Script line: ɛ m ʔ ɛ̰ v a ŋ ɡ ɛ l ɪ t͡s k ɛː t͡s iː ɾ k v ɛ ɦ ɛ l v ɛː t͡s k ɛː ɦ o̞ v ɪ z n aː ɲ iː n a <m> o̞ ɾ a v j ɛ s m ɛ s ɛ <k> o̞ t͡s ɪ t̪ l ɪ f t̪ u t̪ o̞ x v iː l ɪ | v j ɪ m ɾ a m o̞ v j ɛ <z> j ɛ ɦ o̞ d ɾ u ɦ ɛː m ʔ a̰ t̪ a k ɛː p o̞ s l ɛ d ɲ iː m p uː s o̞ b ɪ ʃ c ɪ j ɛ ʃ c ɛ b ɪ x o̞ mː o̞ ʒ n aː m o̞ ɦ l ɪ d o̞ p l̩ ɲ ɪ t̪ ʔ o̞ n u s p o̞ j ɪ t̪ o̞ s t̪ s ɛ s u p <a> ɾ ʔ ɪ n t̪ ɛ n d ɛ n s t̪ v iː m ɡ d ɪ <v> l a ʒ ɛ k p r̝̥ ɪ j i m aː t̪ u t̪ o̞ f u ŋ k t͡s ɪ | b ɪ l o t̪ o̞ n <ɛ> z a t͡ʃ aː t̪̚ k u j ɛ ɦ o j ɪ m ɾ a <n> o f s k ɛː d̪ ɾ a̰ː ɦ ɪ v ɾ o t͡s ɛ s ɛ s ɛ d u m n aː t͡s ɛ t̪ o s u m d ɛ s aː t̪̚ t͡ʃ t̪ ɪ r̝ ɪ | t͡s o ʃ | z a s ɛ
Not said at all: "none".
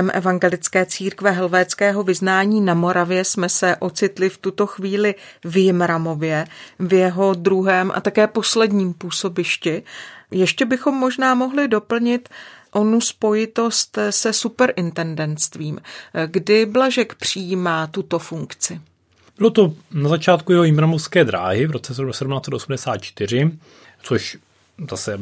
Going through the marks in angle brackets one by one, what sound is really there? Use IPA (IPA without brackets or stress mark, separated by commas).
m, ʔ, v, ɛ, b, a, m